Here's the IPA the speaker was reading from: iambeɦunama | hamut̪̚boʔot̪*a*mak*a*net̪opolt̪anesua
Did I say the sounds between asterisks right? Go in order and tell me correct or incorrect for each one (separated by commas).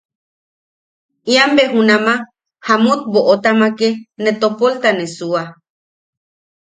correct, incorrect